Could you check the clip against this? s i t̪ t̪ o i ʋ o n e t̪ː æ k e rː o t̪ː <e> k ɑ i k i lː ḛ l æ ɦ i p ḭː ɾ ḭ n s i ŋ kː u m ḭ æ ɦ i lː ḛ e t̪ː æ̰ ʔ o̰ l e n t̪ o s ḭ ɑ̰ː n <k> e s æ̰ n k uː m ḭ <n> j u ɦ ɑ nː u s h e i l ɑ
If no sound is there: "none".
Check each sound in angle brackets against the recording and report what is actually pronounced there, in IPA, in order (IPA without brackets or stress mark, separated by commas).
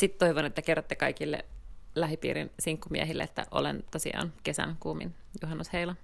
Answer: e, k, n